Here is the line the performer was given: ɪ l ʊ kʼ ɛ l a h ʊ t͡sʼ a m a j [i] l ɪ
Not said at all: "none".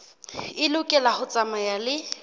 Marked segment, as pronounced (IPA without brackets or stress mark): a